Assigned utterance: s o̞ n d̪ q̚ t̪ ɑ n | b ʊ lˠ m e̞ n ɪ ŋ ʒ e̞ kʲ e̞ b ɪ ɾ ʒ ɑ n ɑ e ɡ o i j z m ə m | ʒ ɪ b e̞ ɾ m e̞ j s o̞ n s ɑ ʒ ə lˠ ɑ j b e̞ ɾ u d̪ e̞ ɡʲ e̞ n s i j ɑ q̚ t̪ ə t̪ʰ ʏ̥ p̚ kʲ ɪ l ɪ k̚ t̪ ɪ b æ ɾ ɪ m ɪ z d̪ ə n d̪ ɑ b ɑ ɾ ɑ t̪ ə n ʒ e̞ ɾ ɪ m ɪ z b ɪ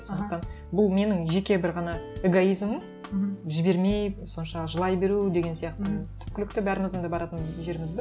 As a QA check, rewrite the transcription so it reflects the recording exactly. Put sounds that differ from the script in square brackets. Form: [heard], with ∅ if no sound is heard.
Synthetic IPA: s o̞ n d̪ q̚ t̪ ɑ n | b ʊ lˠ m e̞ n ɪ ŋ ʒ e̞ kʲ e̞ b ɪ ɾ [ʁ] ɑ n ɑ e ɡ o i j z m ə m | ʒ ɪ b e̞ ɾ m e̞ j s o̞ n [ʃ] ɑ ʒ ə lˠ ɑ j b e̞ ɾ u d̪ e̞ ɡʲ e̞ n s i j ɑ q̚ t̪ ə t̪ʰ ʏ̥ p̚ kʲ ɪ l ɪ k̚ t̪ ɪ b æ ɾ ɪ m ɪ z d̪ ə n d̪ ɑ b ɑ ɾ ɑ t̪ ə n ʒ e̞ ɾ ɪ m ɪ z b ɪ